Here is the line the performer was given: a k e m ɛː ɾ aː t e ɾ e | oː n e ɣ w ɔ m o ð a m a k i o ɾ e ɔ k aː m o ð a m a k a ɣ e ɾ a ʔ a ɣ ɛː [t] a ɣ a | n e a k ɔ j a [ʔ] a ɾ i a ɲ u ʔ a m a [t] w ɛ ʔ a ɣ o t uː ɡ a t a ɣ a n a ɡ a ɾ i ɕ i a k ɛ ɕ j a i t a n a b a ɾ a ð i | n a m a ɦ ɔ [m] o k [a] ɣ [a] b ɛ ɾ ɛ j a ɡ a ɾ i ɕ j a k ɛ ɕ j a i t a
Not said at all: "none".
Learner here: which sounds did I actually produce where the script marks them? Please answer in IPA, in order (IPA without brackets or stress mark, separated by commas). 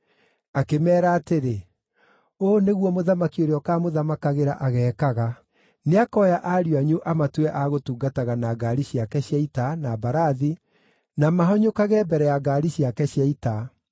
k, ʔ, t, ɲ, a, ɛ